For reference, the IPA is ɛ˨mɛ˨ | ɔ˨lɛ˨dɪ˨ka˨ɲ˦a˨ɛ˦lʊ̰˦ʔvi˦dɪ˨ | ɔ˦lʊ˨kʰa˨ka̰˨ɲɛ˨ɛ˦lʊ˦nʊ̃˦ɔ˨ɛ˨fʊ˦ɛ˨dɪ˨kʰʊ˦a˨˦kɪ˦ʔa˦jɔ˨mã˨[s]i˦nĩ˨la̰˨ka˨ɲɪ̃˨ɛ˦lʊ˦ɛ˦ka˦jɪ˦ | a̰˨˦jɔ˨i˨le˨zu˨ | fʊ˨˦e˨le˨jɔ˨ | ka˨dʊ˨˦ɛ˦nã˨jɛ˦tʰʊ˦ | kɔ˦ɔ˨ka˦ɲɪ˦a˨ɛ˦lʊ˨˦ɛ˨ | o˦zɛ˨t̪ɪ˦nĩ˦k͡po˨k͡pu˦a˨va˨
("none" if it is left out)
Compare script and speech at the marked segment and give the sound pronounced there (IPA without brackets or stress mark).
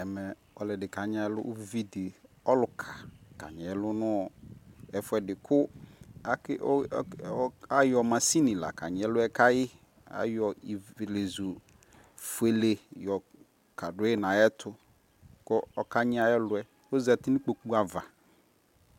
s